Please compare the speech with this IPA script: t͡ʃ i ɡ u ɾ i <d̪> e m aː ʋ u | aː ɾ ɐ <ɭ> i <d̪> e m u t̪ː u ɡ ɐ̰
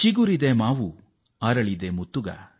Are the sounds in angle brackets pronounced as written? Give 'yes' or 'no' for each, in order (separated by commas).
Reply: yes, yes, yes